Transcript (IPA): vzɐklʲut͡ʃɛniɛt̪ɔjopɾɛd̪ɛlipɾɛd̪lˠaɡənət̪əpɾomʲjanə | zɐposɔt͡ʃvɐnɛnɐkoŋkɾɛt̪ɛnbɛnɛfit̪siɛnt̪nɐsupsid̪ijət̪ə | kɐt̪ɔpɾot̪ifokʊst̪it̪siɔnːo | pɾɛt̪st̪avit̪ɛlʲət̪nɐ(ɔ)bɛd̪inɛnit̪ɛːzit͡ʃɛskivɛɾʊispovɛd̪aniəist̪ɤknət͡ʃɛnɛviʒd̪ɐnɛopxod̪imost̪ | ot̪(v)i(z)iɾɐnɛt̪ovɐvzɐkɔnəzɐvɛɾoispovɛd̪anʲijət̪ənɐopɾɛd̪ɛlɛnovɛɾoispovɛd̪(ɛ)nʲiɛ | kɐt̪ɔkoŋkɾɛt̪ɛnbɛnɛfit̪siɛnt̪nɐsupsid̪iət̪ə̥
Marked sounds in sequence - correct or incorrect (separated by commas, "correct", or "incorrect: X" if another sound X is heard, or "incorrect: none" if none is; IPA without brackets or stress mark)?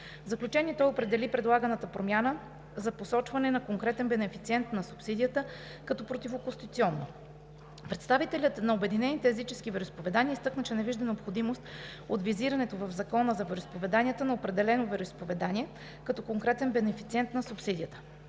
incorrect: o, correct, correct, incorrect: a